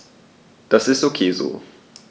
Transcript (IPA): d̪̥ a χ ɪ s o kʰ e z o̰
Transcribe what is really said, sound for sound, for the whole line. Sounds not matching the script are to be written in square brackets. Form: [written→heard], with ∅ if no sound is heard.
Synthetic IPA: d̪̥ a [χ→s] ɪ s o kʰ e z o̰